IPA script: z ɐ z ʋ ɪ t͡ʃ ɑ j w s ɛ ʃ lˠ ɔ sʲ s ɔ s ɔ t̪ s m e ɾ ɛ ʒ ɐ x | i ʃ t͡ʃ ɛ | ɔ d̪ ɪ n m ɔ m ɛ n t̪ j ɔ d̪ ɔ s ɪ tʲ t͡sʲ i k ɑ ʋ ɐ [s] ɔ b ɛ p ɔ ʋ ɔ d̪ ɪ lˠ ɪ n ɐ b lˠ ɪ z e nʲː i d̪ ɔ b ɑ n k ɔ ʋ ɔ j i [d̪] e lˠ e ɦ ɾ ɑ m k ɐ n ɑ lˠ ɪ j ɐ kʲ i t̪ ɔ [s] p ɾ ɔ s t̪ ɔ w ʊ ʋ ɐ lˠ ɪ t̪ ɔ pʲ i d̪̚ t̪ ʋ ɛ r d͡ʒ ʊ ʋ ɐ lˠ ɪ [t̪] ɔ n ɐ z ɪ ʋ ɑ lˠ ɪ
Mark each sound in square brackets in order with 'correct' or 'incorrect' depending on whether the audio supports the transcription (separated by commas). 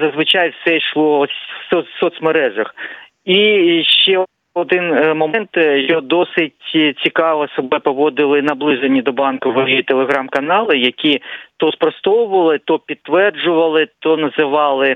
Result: correct, incorrect, correct, correct